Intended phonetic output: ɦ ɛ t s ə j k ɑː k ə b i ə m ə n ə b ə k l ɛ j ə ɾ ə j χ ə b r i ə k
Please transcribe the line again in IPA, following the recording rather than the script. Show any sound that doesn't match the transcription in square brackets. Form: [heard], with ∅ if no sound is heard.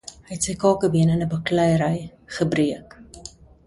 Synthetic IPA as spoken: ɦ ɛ t s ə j k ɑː k ə b i ə [n] ə n ə b ə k l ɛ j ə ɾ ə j χ ə b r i ə k